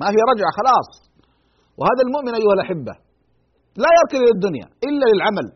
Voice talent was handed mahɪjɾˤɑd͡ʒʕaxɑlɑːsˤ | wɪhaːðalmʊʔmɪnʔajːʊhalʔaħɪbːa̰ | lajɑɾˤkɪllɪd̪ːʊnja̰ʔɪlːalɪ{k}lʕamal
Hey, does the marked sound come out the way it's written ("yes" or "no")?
no